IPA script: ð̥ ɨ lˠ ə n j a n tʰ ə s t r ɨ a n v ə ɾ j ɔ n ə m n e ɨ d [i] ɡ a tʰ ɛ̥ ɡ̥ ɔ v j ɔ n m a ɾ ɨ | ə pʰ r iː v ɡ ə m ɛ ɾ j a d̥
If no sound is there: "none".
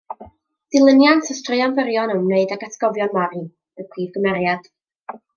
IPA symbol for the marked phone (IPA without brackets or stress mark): a